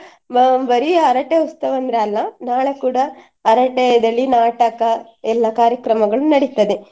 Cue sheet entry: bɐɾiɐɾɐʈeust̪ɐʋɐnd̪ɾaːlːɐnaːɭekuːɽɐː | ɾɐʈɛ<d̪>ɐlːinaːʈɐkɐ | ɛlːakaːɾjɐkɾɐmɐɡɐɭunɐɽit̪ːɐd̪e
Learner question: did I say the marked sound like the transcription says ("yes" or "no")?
yes